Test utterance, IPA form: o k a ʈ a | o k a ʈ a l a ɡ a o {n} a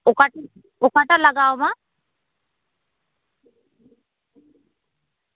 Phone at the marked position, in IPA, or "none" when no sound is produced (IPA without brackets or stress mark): m